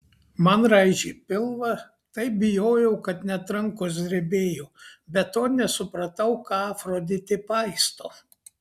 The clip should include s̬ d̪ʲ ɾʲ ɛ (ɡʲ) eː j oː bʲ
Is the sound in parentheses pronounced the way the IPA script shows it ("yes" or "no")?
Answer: no